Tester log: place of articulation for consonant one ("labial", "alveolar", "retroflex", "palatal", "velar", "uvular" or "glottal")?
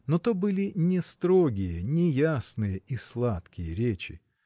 alveolar